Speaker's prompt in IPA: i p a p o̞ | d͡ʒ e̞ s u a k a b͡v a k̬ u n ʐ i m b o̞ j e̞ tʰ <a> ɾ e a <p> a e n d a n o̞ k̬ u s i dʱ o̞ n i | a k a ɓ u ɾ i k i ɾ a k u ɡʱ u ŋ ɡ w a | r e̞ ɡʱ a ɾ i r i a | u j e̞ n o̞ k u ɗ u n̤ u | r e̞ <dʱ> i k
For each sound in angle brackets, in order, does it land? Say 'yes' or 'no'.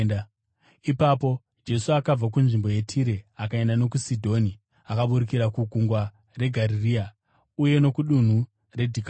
no, no, yes

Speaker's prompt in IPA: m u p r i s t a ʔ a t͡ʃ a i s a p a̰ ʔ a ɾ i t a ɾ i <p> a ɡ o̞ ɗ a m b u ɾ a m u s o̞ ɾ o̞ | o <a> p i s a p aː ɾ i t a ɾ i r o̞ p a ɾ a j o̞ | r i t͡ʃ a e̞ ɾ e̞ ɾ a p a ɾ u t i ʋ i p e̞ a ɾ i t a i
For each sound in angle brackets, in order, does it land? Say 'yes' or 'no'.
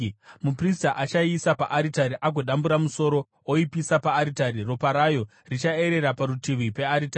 no, no

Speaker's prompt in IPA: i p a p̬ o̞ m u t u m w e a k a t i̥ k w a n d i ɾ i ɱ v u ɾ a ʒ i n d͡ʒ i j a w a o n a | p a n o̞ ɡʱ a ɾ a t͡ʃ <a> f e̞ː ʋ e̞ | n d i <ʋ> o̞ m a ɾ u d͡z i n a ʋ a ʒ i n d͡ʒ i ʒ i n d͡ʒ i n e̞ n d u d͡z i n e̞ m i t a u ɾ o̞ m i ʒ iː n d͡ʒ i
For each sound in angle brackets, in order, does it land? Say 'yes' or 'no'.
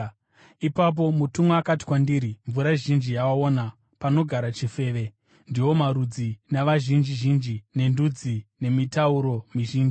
no, no

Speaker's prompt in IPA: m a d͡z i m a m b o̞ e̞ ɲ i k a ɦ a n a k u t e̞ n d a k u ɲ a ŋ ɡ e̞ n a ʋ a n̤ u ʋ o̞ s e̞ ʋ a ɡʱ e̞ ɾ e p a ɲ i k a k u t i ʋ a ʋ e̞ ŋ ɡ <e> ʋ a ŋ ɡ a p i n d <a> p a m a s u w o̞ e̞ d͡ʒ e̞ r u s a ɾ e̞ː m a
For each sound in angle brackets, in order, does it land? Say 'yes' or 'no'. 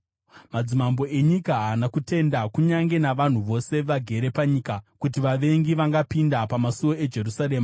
no, yes

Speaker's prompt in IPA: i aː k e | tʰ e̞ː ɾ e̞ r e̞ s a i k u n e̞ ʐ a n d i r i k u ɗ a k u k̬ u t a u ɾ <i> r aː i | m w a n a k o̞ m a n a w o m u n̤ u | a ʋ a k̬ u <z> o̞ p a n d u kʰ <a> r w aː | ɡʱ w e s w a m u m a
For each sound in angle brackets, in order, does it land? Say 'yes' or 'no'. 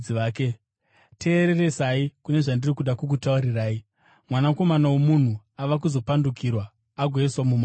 yes, yes, no

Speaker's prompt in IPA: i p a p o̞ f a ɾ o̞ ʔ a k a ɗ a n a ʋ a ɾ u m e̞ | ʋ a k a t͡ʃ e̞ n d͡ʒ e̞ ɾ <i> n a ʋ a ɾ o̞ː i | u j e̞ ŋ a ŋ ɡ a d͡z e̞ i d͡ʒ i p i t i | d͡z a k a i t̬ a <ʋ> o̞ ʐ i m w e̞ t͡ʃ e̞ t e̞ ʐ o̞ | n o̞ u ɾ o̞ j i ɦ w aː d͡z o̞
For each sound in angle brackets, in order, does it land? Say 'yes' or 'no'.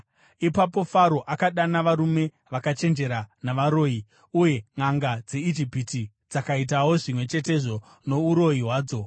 no, no

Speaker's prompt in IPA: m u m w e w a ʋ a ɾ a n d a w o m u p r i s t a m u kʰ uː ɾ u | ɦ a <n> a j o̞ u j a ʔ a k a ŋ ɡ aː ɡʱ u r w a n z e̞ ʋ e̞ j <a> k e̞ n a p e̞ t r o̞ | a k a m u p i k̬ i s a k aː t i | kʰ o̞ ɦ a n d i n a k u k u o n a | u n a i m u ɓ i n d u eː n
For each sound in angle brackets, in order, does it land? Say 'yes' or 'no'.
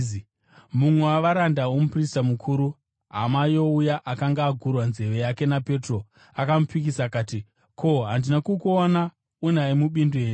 no, yes

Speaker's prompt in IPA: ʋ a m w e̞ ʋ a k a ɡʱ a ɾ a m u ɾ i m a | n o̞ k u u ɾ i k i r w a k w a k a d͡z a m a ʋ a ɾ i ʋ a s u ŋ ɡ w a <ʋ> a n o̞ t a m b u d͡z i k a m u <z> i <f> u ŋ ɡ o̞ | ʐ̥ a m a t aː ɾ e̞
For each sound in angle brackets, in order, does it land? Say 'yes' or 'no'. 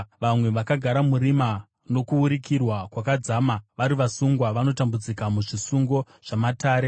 yes, no, no

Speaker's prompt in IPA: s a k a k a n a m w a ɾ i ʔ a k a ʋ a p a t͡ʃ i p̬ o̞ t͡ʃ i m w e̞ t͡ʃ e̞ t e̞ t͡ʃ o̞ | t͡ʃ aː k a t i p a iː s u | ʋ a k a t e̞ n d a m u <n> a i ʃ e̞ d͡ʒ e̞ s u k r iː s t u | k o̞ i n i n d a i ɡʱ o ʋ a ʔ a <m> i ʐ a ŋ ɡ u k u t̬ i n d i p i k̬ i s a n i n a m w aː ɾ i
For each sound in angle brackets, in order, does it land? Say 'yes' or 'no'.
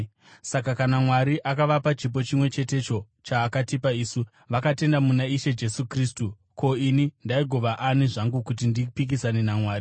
yes, no

